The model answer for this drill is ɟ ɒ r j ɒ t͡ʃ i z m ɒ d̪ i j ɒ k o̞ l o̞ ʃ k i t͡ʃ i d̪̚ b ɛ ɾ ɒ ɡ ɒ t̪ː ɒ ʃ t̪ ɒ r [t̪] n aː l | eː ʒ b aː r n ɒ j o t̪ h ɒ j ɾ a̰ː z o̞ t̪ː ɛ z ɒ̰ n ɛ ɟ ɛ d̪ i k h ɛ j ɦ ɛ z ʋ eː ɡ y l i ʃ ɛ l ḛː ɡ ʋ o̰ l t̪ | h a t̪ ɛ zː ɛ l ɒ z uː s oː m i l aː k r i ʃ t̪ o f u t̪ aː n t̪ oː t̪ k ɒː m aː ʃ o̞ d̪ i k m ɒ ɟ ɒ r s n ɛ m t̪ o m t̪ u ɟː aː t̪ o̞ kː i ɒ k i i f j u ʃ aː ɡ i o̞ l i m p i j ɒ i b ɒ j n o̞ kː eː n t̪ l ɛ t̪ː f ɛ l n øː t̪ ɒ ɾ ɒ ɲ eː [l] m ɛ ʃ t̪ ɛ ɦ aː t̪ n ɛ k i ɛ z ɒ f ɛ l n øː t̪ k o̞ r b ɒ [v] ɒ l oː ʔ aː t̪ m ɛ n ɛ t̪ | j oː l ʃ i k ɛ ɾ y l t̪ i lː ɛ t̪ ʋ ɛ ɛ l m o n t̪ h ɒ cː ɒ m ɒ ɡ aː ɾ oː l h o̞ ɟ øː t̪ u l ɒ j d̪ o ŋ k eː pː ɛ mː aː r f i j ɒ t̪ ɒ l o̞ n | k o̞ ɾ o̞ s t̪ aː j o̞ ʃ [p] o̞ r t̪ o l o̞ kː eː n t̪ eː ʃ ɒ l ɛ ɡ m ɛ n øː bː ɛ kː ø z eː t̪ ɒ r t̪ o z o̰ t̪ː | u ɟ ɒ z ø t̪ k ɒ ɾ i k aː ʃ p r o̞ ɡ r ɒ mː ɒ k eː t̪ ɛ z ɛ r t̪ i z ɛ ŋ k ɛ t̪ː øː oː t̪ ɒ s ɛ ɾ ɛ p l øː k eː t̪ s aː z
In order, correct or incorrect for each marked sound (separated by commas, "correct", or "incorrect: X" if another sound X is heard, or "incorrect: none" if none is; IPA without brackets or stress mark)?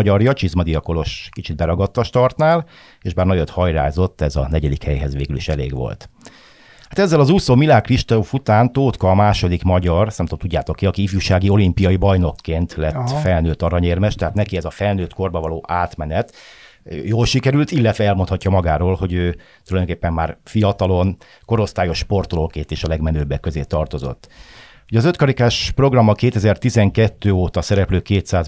correct, incorrect: r, correct, correct